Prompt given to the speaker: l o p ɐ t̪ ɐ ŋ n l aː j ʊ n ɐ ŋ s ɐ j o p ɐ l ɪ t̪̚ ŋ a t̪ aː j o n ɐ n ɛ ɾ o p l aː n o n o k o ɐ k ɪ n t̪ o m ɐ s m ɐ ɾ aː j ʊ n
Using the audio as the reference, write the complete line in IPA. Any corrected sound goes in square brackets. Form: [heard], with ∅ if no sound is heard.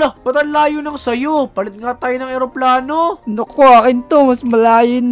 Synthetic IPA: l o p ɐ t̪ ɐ [∅] n l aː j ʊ n ɐ ŋ s ɐ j o p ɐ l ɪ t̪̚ ŋ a t̪ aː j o n ɐ [ŋ] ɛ ɾ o p l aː n o n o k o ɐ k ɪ n t̪ o m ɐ s m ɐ [l] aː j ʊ n